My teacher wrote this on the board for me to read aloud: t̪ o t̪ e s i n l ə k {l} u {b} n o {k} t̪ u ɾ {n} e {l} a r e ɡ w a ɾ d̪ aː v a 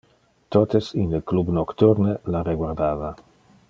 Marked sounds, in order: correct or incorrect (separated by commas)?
correct, correct, correct, correct, correct